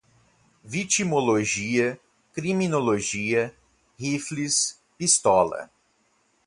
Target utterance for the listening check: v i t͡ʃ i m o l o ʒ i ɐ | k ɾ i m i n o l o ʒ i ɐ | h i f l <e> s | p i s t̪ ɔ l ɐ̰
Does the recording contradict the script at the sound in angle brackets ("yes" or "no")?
yes